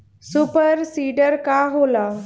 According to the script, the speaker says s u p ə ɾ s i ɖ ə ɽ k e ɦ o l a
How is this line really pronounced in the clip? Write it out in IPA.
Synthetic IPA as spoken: s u p ə ɾ s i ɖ ə ɾ k a ɦ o l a